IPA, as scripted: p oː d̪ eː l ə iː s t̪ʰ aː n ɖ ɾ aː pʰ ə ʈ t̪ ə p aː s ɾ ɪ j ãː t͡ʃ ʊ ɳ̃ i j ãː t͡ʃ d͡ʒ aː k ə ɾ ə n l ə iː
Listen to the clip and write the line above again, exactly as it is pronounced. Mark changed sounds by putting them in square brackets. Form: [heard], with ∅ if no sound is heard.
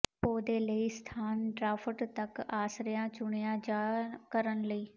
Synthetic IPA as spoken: p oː d̪ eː l ə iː s t̪ʰ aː n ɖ ɾ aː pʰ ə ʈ t̪ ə [k] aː s ɾ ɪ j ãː t͡ʃ ʊ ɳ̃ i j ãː [∅] d͡ʒ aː k ə ɾ ə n l ə iː